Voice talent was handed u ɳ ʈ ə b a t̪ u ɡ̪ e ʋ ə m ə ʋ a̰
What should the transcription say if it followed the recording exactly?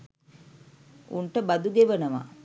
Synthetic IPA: u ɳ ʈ ə b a d̪ u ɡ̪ e ʋ ə n ə ʋ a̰